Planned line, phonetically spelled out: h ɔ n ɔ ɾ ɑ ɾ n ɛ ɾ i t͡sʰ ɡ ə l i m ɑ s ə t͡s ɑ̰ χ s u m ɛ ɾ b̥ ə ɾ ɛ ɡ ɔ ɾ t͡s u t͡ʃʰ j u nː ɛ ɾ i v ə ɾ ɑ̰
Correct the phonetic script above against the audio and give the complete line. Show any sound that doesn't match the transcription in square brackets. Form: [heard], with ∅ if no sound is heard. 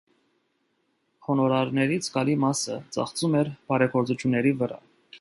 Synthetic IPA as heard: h ɔ n ɔ ɾ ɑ ɾ n ɛ ɾ i t͡sʰ ɡ [ɑ] l i m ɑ s ə t͡s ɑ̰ χ [t͡s] u m ɛ ɾ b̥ [ɑ] ɾ ɛ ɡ ɔ ɾ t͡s u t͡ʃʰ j u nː ɛ ɾ i v ə ɾ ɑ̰